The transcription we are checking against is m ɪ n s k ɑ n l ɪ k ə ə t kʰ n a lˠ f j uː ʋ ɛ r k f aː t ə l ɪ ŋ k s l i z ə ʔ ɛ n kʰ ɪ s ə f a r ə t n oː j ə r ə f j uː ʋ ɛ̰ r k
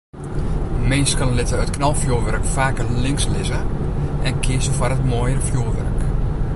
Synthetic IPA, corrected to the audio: m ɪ n s k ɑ n l ɪ t ə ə t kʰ n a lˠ f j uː ʋ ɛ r k f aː k ə l ɪ ŋ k s l ɪ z ə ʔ ɛ n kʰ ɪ s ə f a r ə t m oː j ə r ə f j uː ʋ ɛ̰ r k